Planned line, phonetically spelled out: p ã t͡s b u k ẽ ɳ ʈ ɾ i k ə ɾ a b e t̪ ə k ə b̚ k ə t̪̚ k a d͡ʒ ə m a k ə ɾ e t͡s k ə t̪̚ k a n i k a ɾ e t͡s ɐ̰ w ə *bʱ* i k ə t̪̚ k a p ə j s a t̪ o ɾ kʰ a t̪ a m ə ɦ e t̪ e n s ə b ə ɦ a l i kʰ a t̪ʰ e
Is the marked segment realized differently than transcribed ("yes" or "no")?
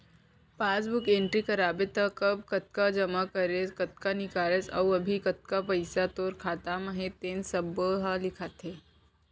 no